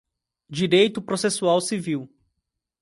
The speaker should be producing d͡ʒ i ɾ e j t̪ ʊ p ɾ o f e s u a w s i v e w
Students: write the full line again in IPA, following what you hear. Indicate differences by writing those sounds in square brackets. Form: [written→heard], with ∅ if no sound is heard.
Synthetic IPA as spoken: d͡ʒ i ɾ e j t̪ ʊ p ɾ o [f→s] e s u a w s i v [e→i] w